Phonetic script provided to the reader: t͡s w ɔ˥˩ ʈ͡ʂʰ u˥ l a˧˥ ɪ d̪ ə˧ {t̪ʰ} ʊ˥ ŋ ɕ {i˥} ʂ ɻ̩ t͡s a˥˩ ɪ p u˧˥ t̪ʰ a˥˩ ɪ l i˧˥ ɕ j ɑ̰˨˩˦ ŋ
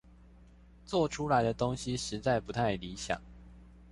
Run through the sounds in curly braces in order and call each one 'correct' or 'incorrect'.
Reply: incorrect: t̪, incorrect: i˨

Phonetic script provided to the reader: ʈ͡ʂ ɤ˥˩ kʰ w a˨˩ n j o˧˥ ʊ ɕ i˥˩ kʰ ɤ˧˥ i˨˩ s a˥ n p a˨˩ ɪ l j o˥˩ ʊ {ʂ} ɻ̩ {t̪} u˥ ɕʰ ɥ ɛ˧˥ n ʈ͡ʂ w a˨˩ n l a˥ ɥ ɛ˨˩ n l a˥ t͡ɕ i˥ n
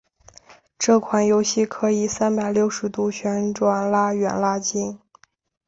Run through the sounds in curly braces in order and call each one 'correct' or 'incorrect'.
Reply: correct, correct

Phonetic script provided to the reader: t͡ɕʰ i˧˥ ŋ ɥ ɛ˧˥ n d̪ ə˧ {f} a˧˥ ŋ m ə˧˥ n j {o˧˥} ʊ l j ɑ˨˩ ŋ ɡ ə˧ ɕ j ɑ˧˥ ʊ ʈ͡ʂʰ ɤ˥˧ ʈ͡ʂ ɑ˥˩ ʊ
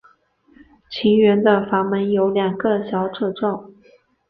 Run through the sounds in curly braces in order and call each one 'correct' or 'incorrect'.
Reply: correct, correct

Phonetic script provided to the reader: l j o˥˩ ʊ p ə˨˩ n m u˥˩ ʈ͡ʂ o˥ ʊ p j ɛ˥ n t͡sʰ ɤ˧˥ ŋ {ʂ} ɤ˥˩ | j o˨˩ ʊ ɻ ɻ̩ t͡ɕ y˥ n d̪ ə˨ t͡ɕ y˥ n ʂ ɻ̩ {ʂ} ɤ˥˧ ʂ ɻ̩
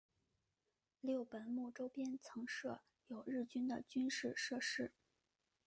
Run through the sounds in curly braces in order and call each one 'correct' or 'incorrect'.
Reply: correct, correct

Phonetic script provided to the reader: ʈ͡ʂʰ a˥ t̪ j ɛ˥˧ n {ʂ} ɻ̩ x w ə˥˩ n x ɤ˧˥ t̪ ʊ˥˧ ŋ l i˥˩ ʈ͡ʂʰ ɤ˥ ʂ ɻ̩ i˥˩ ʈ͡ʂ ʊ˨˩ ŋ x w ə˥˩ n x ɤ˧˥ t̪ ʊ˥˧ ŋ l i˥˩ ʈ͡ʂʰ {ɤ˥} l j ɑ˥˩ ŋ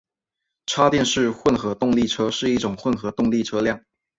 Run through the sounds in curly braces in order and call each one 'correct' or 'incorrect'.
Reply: correct, correct

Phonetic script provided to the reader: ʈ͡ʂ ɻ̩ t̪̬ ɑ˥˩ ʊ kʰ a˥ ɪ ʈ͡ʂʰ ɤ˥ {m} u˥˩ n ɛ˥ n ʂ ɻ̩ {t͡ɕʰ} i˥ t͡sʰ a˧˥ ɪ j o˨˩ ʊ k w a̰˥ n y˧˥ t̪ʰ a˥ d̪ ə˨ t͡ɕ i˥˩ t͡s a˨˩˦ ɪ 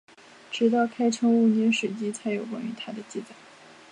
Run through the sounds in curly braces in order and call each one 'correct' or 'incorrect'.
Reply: incorrect: ŋ, incorrect: t͡ɕ

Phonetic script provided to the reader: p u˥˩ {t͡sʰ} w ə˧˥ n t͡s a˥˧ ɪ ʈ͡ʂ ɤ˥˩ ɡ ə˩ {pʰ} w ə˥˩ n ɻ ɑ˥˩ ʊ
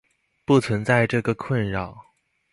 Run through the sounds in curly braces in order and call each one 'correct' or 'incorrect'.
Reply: correct, incorrect: kʰ

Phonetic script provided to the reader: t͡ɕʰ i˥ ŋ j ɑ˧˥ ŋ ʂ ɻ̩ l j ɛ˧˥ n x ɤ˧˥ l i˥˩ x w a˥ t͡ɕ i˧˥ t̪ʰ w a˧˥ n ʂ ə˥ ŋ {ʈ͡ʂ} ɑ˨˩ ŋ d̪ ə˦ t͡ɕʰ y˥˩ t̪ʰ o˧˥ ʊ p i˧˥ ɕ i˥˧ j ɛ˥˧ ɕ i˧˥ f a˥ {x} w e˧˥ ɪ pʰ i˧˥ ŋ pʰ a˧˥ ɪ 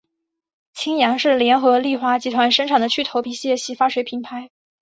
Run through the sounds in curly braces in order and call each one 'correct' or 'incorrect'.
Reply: incorrect: ʈ͡ʂʰ, incorrect: ʂ

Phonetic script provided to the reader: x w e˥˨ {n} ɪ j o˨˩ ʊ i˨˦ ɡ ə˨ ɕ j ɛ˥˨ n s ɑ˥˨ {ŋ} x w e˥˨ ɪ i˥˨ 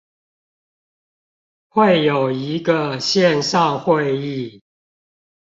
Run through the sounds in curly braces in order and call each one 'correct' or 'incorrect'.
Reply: incorrect: none, correct

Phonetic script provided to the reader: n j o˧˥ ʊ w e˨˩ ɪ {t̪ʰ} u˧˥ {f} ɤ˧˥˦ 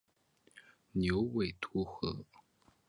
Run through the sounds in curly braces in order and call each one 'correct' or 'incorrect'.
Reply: correct, incorrect: x

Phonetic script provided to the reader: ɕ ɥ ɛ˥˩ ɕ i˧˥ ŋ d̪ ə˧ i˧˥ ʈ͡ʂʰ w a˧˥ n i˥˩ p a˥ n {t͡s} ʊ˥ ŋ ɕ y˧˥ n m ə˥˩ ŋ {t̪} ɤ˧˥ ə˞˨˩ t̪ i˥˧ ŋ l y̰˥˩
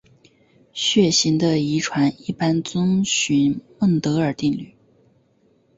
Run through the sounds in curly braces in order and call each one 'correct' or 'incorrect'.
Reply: correct, correct

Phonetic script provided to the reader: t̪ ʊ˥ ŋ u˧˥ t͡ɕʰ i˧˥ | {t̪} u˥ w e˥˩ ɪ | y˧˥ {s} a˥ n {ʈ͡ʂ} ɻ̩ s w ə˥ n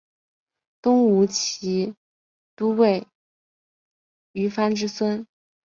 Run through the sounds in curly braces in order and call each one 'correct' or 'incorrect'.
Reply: correct, incorrect: f, correct

